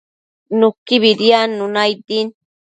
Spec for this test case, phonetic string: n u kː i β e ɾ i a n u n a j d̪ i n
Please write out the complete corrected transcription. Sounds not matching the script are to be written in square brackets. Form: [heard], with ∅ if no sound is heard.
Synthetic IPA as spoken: n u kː i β [i] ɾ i a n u n a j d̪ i n

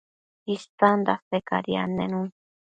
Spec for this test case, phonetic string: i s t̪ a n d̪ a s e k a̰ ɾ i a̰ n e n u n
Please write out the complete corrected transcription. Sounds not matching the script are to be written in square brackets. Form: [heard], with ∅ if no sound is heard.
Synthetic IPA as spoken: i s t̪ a n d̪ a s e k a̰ ɾ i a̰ n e n u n

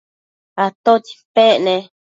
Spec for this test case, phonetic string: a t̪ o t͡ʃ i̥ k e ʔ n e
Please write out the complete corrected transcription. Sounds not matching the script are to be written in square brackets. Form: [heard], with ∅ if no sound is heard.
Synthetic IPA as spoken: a t̪ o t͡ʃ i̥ [p] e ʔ n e

